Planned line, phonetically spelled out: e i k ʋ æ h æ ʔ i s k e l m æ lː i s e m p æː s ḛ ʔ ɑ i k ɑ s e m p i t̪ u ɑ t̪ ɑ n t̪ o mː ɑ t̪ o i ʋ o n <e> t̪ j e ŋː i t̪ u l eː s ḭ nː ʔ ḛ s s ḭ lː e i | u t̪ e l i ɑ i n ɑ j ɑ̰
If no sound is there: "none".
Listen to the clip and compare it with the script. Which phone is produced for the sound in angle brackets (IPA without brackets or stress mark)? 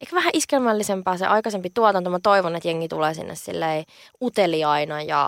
e